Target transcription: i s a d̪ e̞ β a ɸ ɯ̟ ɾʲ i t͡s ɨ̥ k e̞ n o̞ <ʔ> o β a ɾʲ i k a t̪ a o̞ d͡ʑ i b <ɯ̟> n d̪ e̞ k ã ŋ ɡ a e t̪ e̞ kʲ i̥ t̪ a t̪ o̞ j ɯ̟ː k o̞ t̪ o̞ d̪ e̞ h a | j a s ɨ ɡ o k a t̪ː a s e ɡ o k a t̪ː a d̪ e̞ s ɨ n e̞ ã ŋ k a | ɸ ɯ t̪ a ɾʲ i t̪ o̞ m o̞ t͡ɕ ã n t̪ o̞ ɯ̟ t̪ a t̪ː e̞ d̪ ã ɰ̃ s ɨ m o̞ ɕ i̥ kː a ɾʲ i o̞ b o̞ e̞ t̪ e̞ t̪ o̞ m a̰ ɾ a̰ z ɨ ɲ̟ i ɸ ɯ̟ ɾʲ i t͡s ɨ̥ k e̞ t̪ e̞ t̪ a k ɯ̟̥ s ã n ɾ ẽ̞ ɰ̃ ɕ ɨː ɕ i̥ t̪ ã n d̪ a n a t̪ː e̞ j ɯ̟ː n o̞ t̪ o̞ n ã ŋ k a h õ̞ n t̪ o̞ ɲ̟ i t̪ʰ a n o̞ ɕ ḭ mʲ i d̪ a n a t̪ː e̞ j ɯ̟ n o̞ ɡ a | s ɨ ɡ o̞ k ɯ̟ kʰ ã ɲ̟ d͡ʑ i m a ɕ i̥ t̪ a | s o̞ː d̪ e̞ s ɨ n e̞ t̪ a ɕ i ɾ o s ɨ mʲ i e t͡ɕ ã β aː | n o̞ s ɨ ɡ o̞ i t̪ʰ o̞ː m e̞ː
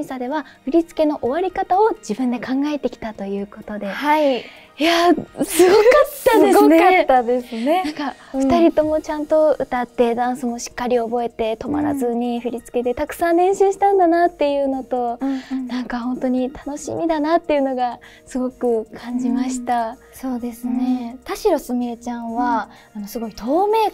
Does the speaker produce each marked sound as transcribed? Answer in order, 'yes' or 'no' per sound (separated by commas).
yes, no